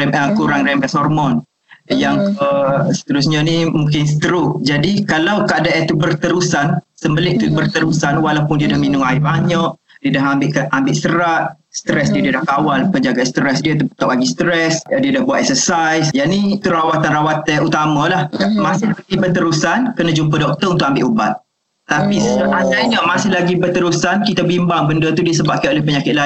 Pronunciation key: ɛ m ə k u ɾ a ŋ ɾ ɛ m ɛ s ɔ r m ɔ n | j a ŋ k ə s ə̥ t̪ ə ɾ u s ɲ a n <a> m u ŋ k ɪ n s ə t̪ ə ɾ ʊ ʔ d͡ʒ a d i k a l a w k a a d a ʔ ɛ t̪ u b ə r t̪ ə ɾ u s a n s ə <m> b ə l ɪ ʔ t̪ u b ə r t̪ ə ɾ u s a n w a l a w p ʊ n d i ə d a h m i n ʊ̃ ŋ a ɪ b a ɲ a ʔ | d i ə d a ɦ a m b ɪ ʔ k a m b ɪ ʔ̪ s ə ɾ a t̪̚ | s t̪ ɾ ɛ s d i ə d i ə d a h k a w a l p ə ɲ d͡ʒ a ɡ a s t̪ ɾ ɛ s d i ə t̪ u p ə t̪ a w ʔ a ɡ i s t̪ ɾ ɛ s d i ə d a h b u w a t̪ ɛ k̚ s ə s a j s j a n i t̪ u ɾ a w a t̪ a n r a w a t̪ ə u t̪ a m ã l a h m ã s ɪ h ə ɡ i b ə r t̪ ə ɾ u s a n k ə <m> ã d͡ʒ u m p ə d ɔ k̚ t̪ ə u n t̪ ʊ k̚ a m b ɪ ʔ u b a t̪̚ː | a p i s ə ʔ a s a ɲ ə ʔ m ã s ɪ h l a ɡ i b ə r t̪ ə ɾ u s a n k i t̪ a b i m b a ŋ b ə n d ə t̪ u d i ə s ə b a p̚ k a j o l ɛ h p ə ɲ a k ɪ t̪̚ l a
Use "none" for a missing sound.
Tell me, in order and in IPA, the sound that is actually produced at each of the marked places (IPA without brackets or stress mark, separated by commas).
i, m, n